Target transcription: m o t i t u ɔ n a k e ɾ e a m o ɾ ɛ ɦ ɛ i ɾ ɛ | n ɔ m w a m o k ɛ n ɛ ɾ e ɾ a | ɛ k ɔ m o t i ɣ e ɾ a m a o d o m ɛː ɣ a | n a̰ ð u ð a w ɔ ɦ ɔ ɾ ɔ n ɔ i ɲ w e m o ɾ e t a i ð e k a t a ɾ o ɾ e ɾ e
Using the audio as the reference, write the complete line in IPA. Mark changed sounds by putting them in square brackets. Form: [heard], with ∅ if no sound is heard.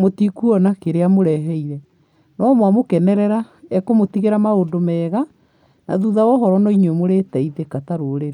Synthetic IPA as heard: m o t i [k] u ɔ n a k e ɾ e a m o ɾ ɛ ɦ ɛ i ɾ ɛ | n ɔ m w a m o k ɛ n ɛ ɾ [ɛ] ɾ a | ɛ k [o] m o t i ɣ e ɾ a m a o d o m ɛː ɣ a | n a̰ ð u ð a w ɔ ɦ ɔ ɾ ɔ n ɔ i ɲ w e m o ɾ e t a i ð e k a t a ɾ o ɾ e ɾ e